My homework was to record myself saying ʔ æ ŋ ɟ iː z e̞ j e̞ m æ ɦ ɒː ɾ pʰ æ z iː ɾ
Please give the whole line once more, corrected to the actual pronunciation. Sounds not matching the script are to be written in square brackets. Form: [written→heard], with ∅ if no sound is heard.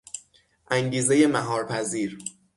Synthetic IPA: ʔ æ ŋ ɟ iː z e̞ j e̞ m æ ɦ ɒː ɾ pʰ æ z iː ɾ